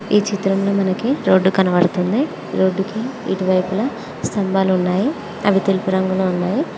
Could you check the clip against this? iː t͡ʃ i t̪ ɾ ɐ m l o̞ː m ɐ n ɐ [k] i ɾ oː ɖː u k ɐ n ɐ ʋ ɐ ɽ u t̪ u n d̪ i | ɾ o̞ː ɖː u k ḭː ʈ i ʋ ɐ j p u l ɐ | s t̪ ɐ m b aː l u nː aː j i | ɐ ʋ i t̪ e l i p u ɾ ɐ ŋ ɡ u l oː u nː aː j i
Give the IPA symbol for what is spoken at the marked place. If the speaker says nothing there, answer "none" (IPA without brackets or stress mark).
k